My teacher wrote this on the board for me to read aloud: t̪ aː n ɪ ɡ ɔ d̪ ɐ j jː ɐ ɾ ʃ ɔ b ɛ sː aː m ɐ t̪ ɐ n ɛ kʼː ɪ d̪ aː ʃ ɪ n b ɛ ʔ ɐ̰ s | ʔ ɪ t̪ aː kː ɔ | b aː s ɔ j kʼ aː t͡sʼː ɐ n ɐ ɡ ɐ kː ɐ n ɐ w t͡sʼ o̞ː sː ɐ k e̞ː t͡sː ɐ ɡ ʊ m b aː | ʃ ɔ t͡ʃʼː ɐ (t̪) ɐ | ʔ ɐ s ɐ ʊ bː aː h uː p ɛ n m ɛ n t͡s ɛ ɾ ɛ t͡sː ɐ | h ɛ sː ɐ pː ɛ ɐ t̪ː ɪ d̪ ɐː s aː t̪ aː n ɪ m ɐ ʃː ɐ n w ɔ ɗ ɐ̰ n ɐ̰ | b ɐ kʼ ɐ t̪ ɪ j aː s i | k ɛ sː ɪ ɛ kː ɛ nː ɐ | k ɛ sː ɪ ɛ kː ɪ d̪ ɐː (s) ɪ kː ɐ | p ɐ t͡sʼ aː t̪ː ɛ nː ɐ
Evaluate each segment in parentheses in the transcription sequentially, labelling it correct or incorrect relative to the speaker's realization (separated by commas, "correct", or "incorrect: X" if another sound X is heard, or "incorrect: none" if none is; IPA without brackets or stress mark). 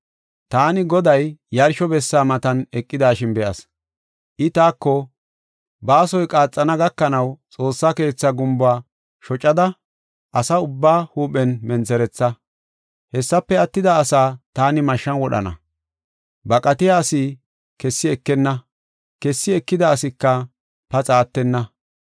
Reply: incorrect: d̪, correct